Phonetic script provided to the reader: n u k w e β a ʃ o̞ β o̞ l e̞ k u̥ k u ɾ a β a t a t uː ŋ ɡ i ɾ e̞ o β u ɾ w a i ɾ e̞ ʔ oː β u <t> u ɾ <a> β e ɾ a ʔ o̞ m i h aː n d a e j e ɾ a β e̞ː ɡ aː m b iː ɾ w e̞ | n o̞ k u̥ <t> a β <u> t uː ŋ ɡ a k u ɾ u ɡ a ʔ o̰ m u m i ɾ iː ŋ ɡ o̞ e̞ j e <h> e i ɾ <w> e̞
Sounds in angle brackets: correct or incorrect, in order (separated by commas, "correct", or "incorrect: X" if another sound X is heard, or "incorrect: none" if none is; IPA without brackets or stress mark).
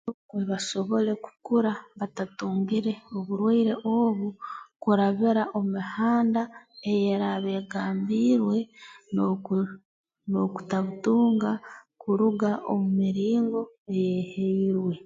incorrect: k, correct, correct, correct, correct, correct